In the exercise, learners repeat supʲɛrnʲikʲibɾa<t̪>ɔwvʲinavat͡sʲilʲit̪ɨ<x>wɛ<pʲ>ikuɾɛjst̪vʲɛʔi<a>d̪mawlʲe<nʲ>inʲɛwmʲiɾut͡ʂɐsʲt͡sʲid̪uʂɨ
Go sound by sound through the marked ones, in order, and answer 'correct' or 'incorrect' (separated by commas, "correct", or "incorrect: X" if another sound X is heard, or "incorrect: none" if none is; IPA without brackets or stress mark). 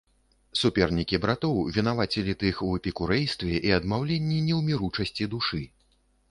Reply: correct, correct, correct, incorrect: ɐ, incorrect: nʲː